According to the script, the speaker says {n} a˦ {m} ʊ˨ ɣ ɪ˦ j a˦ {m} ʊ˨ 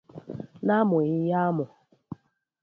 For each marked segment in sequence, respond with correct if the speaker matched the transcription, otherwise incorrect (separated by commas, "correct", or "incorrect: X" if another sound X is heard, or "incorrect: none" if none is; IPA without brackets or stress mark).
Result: correct, correct, correct